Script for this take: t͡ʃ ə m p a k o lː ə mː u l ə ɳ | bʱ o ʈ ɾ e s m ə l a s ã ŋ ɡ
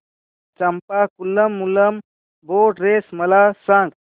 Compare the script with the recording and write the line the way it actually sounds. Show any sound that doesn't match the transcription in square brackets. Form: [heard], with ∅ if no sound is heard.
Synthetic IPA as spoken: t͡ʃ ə m p a k [u] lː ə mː u l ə [m] | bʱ o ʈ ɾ e s m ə l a s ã ŋ ɡ